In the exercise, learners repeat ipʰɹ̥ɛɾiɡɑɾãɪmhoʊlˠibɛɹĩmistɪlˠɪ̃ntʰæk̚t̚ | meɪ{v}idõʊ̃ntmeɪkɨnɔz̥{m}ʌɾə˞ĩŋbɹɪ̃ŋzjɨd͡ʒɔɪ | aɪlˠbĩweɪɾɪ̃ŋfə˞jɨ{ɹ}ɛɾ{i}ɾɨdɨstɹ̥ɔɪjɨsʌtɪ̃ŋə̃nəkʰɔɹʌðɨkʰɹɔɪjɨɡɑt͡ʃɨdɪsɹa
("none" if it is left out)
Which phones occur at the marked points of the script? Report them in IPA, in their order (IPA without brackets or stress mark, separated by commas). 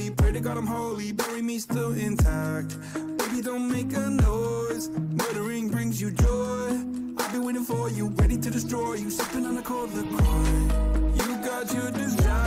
b, m, ɹ, i